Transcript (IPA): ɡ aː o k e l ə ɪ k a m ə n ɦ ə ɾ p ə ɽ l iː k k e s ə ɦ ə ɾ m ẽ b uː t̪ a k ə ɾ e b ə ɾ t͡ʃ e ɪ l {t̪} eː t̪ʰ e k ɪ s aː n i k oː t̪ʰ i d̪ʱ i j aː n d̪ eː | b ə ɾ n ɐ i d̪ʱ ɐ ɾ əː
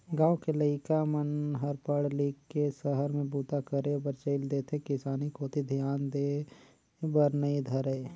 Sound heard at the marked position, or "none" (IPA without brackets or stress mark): d̪